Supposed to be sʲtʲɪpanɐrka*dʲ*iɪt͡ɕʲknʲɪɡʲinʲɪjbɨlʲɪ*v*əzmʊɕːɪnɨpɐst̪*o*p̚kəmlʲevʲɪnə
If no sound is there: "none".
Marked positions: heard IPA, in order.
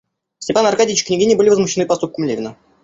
dʲ, v, u

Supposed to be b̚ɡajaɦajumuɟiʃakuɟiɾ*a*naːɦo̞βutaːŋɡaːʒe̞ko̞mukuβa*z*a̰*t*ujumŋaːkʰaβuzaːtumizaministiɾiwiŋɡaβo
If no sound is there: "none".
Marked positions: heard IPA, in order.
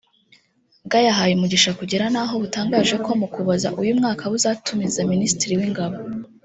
a, z, ʔ

